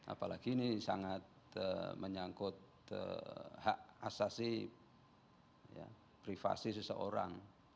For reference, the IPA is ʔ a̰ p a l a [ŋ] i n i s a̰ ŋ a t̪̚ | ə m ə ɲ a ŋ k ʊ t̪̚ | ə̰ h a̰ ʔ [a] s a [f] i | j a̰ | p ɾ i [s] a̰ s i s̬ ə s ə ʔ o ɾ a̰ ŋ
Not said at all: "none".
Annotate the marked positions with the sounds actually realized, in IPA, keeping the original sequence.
ɡ, a, s, f

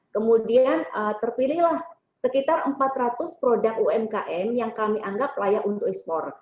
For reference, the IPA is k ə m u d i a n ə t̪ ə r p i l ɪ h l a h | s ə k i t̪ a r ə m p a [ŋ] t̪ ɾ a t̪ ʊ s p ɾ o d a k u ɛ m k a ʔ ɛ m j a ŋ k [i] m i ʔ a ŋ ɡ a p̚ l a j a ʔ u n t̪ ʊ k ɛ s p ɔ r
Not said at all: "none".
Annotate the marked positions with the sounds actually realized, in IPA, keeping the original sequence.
none, a

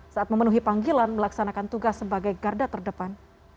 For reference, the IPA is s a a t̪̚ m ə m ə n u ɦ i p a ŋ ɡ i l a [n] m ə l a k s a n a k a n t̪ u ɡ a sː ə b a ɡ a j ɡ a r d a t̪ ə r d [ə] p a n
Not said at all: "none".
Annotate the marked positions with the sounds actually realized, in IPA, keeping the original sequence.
n, ə

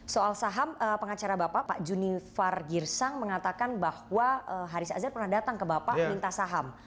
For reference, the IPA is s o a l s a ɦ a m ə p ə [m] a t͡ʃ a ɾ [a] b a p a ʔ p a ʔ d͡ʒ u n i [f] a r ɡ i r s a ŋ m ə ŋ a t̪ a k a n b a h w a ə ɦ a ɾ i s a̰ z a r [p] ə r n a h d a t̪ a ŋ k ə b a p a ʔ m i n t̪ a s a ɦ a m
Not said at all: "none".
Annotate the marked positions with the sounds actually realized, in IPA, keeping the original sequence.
ŋ, a, f, p

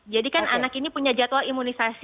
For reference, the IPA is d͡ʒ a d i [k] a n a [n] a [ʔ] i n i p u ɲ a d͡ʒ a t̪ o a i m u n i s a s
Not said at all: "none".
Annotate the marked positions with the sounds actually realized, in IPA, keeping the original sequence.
k, n, k

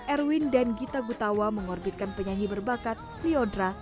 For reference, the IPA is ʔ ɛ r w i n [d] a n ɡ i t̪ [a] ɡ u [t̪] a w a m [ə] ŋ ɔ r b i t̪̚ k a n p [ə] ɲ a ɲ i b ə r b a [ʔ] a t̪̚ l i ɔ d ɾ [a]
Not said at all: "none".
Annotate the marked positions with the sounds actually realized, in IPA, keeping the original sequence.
d, a, t̪, ə, ə, k, a

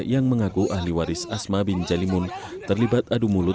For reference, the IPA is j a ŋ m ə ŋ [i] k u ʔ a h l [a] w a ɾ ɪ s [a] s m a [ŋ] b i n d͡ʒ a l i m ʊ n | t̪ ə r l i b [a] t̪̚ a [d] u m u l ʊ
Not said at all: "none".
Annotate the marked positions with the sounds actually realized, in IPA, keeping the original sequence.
a, i, a, none, a, d

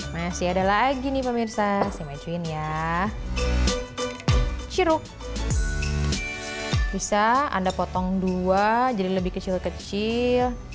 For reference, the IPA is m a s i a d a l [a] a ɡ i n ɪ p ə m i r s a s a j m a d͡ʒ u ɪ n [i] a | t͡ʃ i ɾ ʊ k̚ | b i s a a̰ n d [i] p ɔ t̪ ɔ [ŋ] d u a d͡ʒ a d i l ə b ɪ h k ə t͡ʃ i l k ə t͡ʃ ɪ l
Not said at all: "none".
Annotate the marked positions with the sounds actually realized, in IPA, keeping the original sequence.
a, j, a, ŋ

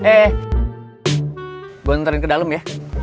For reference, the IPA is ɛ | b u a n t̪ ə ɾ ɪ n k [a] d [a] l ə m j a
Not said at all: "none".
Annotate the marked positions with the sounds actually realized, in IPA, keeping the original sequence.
ə, a

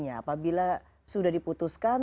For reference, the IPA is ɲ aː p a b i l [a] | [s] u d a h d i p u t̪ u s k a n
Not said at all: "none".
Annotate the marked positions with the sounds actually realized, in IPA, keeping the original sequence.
a, s

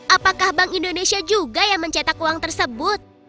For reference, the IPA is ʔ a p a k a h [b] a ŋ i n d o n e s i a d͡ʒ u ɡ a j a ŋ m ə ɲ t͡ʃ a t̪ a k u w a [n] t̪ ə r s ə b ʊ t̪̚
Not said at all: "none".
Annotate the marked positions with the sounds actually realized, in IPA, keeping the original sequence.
b, ŋ

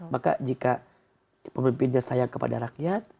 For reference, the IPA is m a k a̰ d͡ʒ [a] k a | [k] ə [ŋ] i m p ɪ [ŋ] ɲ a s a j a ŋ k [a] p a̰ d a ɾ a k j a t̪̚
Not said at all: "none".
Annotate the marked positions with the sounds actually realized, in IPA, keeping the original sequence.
i, p, m, n, ə

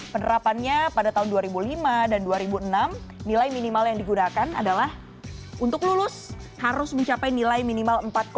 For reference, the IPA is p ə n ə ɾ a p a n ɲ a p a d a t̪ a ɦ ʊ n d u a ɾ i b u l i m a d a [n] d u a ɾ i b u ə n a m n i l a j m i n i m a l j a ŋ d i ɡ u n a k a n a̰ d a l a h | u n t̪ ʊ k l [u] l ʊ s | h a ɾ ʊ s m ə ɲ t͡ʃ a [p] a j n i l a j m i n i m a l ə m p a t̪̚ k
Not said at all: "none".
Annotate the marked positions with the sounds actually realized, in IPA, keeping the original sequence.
n, u, p

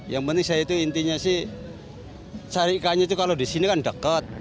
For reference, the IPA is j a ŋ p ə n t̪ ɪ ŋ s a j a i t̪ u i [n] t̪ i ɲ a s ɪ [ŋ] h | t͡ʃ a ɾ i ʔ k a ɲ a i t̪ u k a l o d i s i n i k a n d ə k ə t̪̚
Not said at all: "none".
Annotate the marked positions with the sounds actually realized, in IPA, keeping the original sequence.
n, none

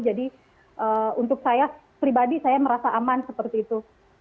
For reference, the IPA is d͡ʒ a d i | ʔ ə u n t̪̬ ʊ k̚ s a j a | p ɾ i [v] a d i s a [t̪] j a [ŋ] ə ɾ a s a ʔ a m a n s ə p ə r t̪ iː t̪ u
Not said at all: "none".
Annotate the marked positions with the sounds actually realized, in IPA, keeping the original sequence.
b, none, m

